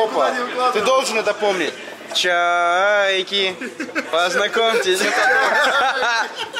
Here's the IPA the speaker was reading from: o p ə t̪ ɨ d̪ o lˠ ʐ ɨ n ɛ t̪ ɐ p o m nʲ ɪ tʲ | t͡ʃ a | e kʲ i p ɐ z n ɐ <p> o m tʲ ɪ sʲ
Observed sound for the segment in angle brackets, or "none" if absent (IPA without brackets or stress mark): k